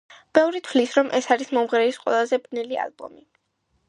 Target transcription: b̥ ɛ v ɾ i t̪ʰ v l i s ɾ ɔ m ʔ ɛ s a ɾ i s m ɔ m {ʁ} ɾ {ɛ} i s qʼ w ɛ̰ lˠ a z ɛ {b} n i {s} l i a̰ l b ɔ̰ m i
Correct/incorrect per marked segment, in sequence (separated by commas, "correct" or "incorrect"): correct, correct, correct, incorrect